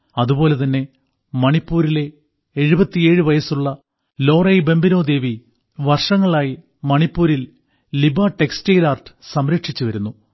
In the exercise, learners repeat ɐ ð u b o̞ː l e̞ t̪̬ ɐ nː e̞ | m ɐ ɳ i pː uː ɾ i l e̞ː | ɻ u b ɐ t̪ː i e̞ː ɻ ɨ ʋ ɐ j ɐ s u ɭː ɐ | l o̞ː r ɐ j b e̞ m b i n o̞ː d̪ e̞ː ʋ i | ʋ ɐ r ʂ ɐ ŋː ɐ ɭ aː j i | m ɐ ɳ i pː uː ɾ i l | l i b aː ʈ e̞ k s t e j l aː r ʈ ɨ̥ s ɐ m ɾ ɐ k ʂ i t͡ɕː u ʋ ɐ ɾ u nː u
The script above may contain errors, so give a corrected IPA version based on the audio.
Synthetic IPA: ɐ ð u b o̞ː l e̞ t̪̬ ɐ nː e̞ | m ɐ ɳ i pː uː ɾ i l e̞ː | ɻ u b ɐ t̪ː i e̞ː ɻ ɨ ʋ ɐ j ɐ s u ɭː ɐ | l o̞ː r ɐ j b e̞ m b i n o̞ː d̪ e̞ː ʋ i | ʋ ɐ r ʂ ɐ ŋː ɐ ɭ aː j i | m ɐ ɳ i pː uː ɾ i l | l i b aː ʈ e̞ k s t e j l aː r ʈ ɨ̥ s ɐ m ɾ ɐ k ʂ i t͡ɕː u ʋ ɐ ɾ u nː u

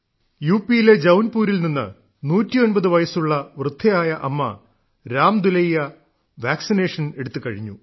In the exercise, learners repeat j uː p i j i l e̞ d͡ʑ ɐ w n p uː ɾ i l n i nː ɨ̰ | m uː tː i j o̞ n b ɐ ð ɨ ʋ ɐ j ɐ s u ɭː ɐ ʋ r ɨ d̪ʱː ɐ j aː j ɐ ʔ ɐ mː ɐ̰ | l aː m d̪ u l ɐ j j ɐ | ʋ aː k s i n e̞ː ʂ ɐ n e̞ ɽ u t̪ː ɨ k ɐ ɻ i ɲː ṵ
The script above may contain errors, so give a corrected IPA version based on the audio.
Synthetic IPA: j uː p i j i l e̞ d͡ʑ ɐ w n p uː ɾ i l n i nː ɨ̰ | n uː tː i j o̞ n b ɐ ð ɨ ʋ ɐ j ɐ s u ɭː ɐ ʋ r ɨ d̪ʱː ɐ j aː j ɐ ʔ ɐ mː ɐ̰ | ɾ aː m d̪ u l ɐ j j ɐ | ʋ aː k s i n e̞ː ʂ ɐ n e̞ ɽ u t̪ː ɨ k ɐ ɻ i ɲː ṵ

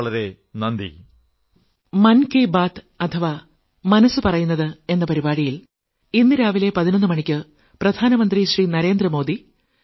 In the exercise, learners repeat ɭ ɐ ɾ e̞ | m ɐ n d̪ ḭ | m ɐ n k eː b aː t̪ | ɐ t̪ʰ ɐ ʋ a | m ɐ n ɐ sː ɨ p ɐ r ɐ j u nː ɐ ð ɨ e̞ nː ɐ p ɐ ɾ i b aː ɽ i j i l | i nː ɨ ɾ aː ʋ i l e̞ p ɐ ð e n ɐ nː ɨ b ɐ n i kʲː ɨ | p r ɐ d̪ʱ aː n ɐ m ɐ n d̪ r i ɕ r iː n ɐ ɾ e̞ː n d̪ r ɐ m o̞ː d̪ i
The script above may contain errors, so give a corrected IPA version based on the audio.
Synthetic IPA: ɭ ɐ ɾ e̞ | n ɐ n d̪ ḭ | m ɐ n k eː b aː t̪ | ɐ t̪ʰ ɐ ʋ a | m ɐ n ɐ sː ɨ p ɐ r ɐ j u nː ɐ ð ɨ e̞ nː ɐ p ɐ ɾ i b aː ɽ i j i l | i nː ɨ ɾ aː ʋ i l e̞ p ɐ ð i n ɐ nː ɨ m ɐ ɳ i kʲː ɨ | p r ɐ d̪ʱ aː n ɐ m ɐ n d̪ r i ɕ r iː n ɐ ɾ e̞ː n d̪ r ɐ m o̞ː d̪ i

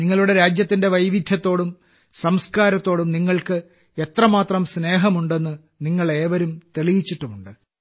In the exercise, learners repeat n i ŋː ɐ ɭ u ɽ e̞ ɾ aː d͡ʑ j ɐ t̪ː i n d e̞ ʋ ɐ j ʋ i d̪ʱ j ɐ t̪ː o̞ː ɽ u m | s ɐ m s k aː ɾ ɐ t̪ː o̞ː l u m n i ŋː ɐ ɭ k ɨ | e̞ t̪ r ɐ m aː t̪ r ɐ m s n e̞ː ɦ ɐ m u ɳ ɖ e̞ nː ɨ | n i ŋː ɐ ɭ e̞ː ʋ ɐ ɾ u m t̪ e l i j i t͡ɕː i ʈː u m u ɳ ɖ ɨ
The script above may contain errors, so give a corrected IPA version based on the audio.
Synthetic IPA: n i ŋː ɐ ɭ u ɽ e̞ ɾ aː d͡ʑ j ɐ t̪ː i n d e̞ ʋ ɐ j ʋ i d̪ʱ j ɐ t̪ː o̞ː ɽ u m | s ɐ m s k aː ɾ ɐ t̪ː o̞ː ɽ u m n i ŋː ɐ ɭ k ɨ | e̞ t̪ r ɐ m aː t̪ r ɐ m s n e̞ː ɦ ɐ m u ɳ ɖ e̞ nː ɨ | n i ŋː ɐ ɭ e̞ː ʋ ɐ ɾ u m t̪ e ɭ i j i t͡ɕː i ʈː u m u ɳ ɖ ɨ

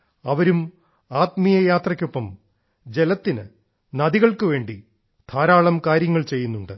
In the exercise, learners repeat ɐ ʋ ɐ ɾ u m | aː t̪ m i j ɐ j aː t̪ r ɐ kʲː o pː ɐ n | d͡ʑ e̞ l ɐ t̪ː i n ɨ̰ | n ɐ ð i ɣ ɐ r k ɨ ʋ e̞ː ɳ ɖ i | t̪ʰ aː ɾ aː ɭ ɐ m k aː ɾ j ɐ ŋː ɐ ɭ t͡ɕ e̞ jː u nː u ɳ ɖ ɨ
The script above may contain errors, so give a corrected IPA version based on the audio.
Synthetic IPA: ɐ ʋ ɐ ɾ u m | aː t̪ m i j ɐ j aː t̪ r ɐ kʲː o pː ɐ m | d͡ʑ e̞ l ɐ t̪ː i n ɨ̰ | n ɐ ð i ɣ ɐ ɭ k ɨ ʋ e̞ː ɳ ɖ i | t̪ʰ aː ɾ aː ɭ ɐ m k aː ɾ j ɐ ŋː ɐ ɭ t͡ɕ e̞ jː u nː u ɳ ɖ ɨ

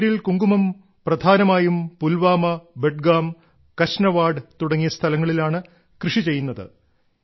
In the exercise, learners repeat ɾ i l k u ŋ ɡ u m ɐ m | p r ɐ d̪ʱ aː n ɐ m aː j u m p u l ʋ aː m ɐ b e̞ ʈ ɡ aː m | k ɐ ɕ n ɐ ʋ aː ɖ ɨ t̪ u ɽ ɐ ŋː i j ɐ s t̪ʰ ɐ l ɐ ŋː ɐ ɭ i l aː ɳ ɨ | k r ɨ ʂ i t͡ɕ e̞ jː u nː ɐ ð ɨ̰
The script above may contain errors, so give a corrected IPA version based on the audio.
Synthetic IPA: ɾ i l k u ŋ ɡ u m ɐ m | p r ɐ d̪ʱ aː n ɐ m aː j u m p u l ʋ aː m ɐ b e̞ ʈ ɡ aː m | k ɐ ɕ n ɐ ʋ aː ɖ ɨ t̪ u ɽ ɐ ŋː i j ɐ s t̪ʰ ɐ l ɐ ŋː ɐ ɭ i l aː ɳ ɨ | k r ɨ ʂ i t͡ɕ e̞ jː u nː ɐ ð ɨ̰

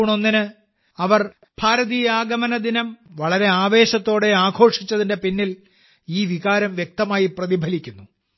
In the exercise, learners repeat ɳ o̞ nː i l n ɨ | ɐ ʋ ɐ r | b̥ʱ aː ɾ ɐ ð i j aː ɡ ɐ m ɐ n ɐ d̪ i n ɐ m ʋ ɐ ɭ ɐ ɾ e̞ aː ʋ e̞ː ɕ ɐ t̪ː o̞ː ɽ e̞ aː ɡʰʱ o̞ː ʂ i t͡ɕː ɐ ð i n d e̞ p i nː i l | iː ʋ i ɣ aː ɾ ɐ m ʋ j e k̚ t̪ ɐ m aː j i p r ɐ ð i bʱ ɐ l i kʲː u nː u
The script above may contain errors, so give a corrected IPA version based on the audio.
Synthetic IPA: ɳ o̞ nː i n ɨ | ɐ ʋ ɐ r | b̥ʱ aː ɾ ɐ ð i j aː ɡ ɐ m ɐ n ɐ d̪ i n ɐ m ʋ ɐ ɭ ɐ ɾ e̞ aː ʋ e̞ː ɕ ɐ t̪ː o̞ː ɽ e̞ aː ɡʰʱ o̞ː ʂ i t͡ɕː ɐ ð i n d e̞ p i nː i l | iː ʋ i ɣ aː ɾ ɐ m ʋ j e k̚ t̪ ɐ m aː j i p r ɐ ð i bʱ ɐ l i kʲː u nː u

